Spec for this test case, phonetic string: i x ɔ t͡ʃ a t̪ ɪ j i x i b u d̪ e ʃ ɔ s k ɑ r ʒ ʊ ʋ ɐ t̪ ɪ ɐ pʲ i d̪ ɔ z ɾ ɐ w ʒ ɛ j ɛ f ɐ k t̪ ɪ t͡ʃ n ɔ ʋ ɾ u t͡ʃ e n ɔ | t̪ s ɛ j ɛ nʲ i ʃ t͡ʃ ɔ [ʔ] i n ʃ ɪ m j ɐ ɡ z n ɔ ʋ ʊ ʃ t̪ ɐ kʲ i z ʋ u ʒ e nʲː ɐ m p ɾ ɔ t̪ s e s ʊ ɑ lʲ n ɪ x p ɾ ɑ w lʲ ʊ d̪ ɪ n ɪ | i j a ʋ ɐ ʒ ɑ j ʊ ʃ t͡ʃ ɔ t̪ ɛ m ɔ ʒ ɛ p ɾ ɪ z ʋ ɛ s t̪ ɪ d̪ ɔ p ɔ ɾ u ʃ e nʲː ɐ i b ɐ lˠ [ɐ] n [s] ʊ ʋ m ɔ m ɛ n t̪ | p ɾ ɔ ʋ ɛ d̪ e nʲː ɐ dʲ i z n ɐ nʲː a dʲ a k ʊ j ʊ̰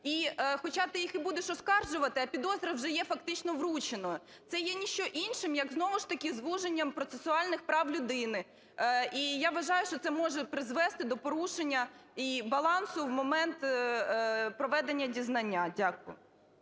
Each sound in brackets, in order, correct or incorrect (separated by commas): correct, incorrect, correct